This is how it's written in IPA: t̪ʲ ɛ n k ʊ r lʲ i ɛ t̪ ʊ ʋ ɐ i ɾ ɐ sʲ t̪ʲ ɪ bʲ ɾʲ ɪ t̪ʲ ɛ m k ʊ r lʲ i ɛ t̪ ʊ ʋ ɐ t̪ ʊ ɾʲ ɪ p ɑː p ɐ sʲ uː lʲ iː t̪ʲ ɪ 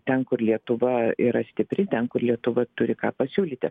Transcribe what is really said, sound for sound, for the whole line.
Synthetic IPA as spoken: t̪ʲ ɛ n k ʊ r lʲ i ɛ t̪ ʊ ʋ ɐ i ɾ ɐ sʲ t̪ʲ ɪ pʲ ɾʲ ɪ t̪ʲ ɛ n k ʊ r lʲ i ɛ t̪ ʊ ʋ ɐ t̪ ʊ ɾʲ ɪ k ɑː p ɐ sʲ uː lʲ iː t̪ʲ ɪ

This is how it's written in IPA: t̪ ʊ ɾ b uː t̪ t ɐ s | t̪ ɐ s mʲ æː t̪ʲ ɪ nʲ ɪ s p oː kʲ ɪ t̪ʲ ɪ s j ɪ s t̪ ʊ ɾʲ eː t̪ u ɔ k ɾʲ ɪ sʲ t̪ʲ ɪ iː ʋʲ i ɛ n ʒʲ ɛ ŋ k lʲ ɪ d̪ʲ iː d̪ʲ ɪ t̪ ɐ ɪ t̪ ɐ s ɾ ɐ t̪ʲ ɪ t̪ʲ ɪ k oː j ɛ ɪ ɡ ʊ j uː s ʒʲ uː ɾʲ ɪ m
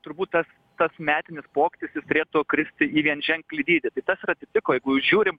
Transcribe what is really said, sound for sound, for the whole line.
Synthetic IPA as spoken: t̪ ʊ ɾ b uː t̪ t ɐ s | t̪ ɐ s mʲ æː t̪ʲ ɪ nʲ ɪ s p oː kʲ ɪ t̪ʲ ɪ s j ɪ s t̪ ʊ ɾʲ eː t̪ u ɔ k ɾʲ ɪ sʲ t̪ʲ ɪ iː ʋʲ i ɛ n ʒʲ ɛ ŋ k lʲ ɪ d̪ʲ iː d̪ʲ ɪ t̪ ɐ ɪ t̪ ɐ s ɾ ɐ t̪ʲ ɪ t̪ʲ ɪ k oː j ɛ ɪ ɡ ʊ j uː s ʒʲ uː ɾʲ ɪ m

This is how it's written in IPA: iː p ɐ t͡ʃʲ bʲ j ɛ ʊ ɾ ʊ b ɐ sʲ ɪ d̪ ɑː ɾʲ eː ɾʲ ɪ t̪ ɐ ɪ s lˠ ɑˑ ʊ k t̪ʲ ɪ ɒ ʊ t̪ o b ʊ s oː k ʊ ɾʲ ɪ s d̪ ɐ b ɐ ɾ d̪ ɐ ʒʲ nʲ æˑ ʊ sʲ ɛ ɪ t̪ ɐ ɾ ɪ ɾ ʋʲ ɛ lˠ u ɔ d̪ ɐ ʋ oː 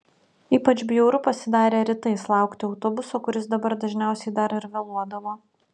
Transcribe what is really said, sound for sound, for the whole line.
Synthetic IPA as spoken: iː p ɐ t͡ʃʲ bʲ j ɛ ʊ ɾ ʊ p ɐ sʲ ɪ d̪ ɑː ɾʲ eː ɾʲ ɪ t̪ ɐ ɪ s lˠ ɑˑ ʊ k t̪ʲ ɪ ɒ ʊ t̪ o b ʊ s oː k ʊ ɾʲ ɪ s d̪ ɐ b ɐ ɾ d̪ ɐ ʒʲ nʲ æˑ ʊ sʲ ɛ ɪ d̪ ɐ ɾ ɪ ɾ ʋʲ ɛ lˠ u ɔ d̪ ɐ ʋ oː

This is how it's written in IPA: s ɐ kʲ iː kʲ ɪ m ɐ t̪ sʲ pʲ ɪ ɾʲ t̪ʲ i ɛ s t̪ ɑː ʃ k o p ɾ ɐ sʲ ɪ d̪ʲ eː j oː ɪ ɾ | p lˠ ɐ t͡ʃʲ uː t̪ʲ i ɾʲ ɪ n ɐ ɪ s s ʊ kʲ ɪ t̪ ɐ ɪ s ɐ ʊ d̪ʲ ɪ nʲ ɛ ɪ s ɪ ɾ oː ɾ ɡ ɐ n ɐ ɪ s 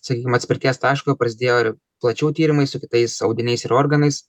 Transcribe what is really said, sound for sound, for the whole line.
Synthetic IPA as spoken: s ɐ kʲ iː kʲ ɪ m ɐ t̪ sʲ pʲ ɪ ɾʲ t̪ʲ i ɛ s t̪ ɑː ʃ k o p ɾ ɐ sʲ ɪ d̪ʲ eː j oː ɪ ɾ | p lˠ ɐ t͡ʃʲ uː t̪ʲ iː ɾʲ ɪ m ɐ ɪ s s ʊ kʲ ɪ t̪ ɐ ɪ s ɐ ʊ d̪ʲ ɪ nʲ ɛ ɪ s ɪ ɾ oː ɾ ɡ ɐ n ɐ ɪ s

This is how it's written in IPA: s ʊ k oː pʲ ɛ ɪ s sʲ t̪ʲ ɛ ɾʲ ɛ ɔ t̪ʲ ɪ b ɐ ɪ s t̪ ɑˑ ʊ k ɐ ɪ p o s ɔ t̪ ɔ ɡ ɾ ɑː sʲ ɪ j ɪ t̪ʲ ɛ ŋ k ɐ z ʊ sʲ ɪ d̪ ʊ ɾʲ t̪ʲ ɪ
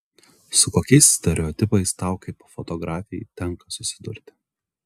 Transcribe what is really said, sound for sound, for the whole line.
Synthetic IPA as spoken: s ʊ k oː kʲ ɛ ɪ s sʲ t̪ʲ ɛ ɾʲ ɛ ɔ t̪ʲ ɪ p ɐ ɪ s t̪ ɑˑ ʊ k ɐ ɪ p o f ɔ t̪ ɔ ɡ ɾ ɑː fʲ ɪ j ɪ t̪ʲ ɛ ŋ k ɐ s ʊ sʲ ɪ d̪ ʊ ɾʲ t̪ʲ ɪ

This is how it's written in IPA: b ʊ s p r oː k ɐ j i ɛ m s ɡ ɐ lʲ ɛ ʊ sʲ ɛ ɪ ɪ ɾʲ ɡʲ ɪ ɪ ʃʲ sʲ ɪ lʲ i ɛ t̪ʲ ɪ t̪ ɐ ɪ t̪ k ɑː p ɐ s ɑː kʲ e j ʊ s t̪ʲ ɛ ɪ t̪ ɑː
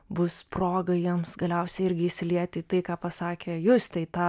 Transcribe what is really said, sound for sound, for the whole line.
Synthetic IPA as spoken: b ʊ s p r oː ɡ ɐ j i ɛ m s ɡ ɐ lʲ ɛ ʊ sʲ ɛ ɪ ɪ ɾʲ ɡʲ ɪ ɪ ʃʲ sʲ ɪ lʲ i ɛ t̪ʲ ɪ t̪ ɐ ɪ k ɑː p ɐ s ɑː kʲ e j ʊ s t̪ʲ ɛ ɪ t̪ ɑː

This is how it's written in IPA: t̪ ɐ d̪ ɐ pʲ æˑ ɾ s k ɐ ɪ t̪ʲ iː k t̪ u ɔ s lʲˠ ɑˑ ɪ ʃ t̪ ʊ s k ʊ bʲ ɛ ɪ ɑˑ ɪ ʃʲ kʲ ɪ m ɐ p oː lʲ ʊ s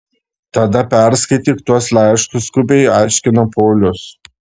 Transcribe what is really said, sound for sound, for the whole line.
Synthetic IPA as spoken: t̪ ɐ d̪ ɐ pʲ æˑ ɾ s k ɐ ɪ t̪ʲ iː k t̪ u ɔ s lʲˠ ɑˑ ɪ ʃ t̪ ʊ s k ʊ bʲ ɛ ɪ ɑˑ ɪ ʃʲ kʲ ɪ n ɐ p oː lʲ ʊ s

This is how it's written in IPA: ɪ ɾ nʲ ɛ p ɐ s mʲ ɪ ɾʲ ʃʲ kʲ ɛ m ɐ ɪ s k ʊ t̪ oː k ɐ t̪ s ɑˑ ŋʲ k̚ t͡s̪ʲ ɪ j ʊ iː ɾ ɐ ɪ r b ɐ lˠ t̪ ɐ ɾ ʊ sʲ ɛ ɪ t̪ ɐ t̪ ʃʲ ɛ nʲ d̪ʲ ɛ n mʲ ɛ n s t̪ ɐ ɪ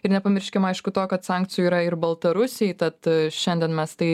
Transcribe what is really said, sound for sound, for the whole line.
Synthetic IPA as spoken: ɪ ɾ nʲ ɛ p ɐ mʲ ɪ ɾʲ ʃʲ kʲ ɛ m ɐ ɪ ʃ k ʊ t̪ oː k ɐ t̪ s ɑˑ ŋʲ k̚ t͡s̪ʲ ɪ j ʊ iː ɾ ɐ ɪ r b ɐ lˠ t̪ ɐ ɾ ʊ sʲ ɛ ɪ t̪ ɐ t̪ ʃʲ ɛ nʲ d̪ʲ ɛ n mʲ ɛ s t̪ ɐ ɪ

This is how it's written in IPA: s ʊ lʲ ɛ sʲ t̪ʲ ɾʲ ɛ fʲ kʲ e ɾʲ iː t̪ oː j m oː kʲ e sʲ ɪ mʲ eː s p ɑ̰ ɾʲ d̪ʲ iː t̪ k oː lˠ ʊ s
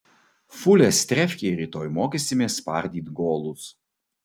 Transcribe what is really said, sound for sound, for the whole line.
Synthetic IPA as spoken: f ʊ lʲ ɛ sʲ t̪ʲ ɾʲ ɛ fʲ kʲ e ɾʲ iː t̪ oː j m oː kʲ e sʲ ɪ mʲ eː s p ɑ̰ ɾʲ d̪ʲ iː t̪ ɡ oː lˠ ʊ s

